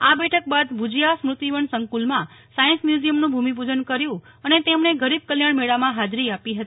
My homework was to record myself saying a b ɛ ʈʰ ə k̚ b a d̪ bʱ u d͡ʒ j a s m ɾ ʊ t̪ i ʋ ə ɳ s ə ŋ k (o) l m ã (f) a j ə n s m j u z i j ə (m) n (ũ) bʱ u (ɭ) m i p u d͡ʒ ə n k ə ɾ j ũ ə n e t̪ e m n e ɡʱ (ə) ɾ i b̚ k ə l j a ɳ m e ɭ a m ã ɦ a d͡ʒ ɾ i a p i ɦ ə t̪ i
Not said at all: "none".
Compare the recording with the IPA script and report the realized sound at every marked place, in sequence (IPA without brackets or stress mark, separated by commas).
u, s, m, ũ, none, ə